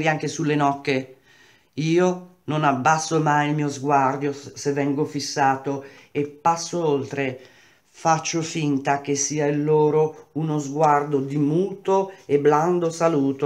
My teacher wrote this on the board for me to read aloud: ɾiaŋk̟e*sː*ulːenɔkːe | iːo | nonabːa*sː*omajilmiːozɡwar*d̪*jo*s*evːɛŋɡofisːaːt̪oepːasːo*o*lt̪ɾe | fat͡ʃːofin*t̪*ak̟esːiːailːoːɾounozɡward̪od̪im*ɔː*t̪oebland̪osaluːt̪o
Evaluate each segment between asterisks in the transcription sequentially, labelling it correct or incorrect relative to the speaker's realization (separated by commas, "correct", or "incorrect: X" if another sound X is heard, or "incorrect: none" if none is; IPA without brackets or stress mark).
incorrect: s, correct, correct, correct, correct, correct, incorrect: uː